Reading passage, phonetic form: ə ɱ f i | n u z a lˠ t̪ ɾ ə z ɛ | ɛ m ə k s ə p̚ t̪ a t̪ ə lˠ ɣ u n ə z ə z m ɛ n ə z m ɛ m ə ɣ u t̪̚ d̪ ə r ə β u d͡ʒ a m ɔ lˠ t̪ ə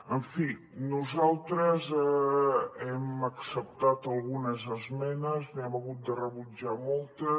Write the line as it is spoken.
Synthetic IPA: ə ɱ f i | n u z a lˠ t̪ ɾ ə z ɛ | ɛ m ə k s ə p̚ t̪ a t̪ ə lˠ ɣ u n ə z ə z m ɛ n ə z n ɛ m ə ɣ u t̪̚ d̪ ə r ə β u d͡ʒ a m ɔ lˠ t̪ ə

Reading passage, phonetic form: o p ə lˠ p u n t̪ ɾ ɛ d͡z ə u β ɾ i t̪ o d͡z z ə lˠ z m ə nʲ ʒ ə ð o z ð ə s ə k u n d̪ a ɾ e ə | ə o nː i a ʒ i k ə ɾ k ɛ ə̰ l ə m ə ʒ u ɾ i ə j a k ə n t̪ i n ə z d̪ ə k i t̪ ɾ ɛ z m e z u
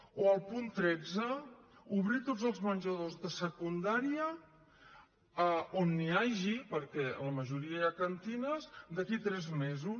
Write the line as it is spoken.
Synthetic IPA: o ə lˠ p u n t̪ ɾ ɛ d͡z ə u β ɾ i t̪ o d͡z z ə lˠ z m ə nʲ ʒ ə ð o z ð ə s ə k u n d̪ a ɾ i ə | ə o nː i a ʒ i p ə ɾ k ɛ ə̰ l ə m ə ʒ u ɾ i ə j a k ə n t̪ i n ə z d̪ ə k i t̪ ɾ ɛ z m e z u

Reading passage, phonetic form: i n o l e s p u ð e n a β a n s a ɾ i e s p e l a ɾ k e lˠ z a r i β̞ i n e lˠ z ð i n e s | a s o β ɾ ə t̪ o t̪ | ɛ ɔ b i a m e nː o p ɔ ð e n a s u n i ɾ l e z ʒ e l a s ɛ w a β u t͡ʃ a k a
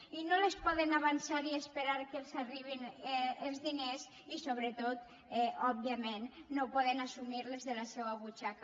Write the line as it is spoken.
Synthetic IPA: i n o l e s p ɔ ð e n a β a n s a ɾ i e s p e ɾ a ɾ k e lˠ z a r i β̞ i n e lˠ z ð i n e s | i s o β ɾ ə t̪ o t̪ | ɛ ɔ b i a m e nː o p ɔ ð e n a s u m i ɾ l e z ð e l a s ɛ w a β u t͡ʃ a k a

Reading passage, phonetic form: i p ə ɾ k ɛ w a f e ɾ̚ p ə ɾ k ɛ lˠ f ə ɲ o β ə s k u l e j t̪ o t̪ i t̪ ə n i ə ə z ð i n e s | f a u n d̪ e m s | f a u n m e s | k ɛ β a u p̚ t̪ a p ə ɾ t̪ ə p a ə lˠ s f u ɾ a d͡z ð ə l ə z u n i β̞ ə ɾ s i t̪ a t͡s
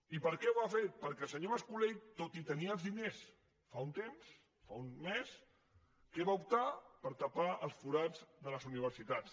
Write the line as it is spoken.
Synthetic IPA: i p ə ɾ k ɛ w a f e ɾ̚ p ə ɾ k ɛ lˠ s ə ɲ o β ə s k u l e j t̪ o t̪ i t̪ ə n i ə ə z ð i n e s | f a u n t̪ e m s | f a u n m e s | k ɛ β a u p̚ t̪ a p ə ɾ t̪ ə p a ə lˠ s f u ɾ a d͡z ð ə l ə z u n i β̞ ə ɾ s i t̪ a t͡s

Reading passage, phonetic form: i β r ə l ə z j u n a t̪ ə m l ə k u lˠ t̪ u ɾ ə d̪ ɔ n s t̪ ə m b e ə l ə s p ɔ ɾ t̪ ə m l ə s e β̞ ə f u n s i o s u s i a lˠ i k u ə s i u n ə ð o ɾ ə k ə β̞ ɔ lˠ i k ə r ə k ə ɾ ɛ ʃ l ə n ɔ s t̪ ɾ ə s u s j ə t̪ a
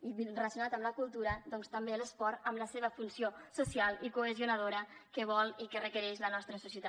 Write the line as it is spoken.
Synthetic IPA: i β r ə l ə s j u n a t̪ ə m l ə k u lˠ t̪ u ɾ ə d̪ ɔ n s t̪ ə m b e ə l ə s p ɔ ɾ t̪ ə m l ə s e β̞ ə f u n s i o s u s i a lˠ i k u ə z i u n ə ð o ɾ ə k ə β̞ ɔ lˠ i k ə r ə k ə ɾ ɛ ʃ l ə n ɔ s t̪ ɾ ə s u s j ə t̪ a

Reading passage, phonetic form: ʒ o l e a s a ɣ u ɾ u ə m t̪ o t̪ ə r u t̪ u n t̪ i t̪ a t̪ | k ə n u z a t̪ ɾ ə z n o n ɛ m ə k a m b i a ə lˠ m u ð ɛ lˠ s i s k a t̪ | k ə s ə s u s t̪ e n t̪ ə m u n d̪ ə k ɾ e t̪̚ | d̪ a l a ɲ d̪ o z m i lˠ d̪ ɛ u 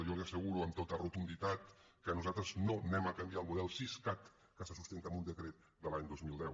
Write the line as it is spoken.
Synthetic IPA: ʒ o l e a s ə ɣ u ɾ u ə m t̪ o t̪ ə r u t̪ u n d̪ i t̪ a t̪ | k ə n u z a t̪ ɾ ə z n o n ɛ m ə k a m b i a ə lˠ m u ð ɛ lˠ s i s k a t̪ | k ə s ə s u s t̪ e n t̪ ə m u n d̪ ə k ɾ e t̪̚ | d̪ ə l a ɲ d̪ o z m i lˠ d̪ ɛ w

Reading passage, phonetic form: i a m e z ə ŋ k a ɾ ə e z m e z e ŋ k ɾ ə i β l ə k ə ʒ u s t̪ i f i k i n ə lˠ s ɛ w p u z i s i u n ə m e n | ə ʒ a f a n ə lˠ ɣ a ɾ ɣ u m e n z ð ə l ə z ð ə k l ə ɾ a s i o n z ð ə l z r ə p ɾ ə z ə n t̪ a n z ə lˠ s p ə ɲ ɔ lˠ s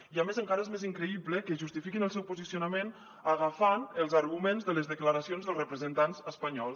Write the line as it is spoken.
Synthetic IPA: i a m e z ə ŋ k a ɾ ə e z m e z i ŋ k ɾ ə i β l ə k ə ʒ u s t̪ i f i k i n ə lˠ s ɛ w p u z i s i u n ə m e n | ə ɣ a f a n ə lˠ z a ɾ ɣ u m e n z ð ə l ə z ð ə k l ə ɾ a s i o n z ð ə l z r ə p ɾ ə z ə n t̪ a n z ə s p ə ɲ ɔ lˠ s

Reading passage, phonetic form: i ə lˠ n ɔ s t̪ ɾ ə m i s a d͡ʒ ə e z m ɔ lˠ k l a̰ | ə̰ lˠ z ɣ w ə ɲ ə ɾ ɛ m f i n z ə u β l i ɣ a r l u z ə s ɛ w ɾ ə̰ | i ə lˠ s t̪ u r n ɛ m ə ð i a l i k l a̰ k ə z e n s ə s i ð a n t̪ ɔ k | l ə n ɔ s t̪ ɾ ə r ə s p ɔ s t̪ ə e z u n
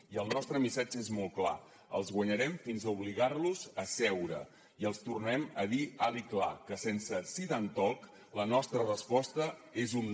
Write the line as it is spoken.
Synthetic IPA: i ə lˠ n ɔ s t̪ ɾ ə m i s a d͡ʒ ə e z m ɔ lˠ k l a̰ | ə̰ lˠ z ɣ w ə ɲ ə ɾ ɛ m f i n z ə u β l i ɣ a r l u z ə s ɛ w ɾ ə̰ | i ə lˠ s t̪ u r n ɛ m ə ð i a l i k l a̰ k ə s e n s ə s i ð a n t̪ ɔ k | l ə n ɔ s t̪ ɾ ə r ə s p ɔ s t̪ ə e z u n

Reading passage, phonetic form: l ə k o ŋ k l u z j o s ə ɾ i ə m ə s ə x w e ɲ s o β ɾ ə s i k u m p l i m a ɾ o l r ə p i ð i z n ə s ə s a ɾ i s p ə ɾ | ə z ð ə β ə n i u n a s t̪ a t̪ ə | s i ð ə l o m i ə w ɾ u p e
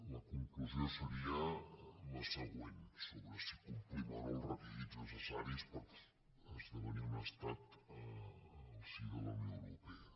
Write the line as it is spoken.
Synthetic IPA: l ə k u ŋ k l u z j o s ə ɾ i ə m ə s ə ɣ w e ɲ s o β ɾ ə s i k u m p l i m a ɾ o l r ə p i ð i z n ə s ə s a ɾ i s p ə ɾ | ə z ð ə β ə n i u n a s t̪ a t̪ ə | s i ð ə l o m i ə w ɾ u p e

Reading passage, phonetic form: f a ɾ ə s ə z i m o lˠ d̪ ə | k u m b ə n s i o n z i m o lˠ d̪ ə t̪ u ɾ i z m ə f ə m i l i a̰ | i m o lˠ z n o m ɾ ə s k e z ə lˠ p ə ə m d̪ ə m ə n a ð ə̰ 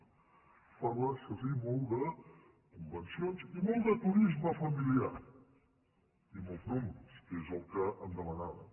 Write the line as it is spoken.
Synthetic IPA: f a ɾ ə s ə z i m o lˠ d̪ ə | k u m b ə n s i o n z i m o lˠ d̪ ə t̪ u ɾ i z m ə f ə m i l i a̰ | i m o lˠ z n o m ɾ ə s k e z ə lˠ k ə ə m d̪ ə m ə n a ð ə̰

